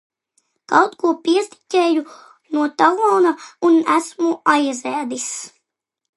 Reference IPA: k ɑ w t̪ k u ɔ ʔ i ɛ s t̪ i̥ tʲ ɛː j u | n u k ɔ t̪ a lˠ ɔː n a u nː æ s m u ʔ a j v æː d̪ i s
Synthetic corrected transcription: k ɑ w t̪ k u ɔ p i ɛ s t̪ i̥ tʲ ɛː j u | n u ɔ t̪ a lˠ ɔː n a u n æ s m u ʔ a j z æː d̪ i s